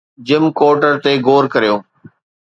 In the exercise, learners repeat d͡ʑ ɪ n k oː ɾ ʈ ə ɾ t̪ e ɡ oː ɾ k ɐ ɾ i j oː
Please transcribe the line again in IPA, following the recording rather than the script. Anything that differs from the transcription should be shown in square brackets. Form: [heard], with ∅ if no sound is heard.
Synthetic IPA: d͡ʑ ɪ [m] k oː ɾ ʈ ə ɾ t̪ e ɡ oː ɾ k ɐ ɾ i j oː